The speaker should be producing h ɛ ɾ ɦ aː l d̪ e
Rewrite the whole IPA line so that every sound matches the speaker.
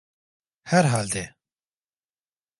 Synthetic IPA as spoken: h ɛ ɾ ɦ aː l d̪ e